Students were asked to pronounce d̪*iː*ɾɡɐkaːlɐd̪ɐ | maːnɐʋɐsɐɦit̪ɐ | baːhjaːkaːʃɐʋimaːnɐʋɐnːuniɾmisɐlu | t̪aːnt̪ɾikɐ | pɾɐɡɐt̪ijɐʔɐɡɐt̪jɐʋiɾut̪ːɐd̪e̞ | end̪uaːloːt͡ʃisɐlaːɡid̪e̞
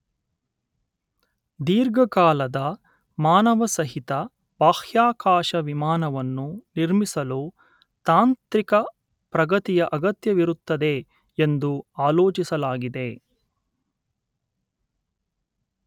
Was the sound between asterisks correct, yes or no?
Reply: yes